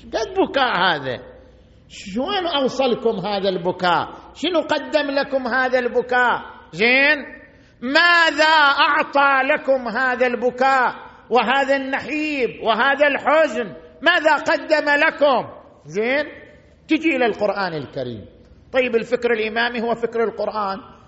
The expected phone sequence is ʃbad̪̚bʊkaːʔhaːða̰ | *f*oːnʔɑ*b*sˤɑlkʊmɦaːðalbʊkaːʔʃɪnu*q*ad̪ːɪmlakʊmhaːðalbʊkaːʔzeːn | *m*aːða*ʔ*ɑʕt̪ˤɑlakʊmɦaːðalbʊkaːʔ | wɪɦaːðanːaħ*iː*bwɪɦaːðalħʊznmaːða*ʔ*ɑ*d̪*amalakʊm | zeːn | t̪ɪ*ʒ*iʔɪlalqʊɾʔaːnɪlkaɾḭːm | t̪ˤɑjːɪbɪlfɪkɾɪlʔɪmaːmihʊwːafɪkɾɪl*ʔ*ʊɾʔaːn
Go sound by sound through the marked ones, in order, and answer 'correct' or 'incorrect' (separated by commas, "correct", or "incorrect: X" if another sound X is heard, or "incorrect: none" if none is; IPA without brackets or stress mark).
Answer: incorrect: ʃ, incorrect: w, correct, correct, correct, correct, incorrect: q, incorrect: d̪ː, incorrect: d͡ʒ, incorrect: q